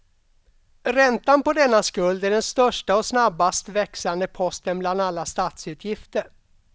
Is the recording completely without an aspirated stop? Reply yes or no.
no